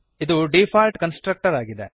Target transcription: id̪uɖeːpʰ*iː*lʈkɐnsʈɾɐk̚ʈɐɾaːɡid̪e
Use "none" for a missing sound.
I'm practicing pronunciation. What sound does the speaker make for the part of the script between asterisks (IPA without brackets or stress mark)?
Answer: aː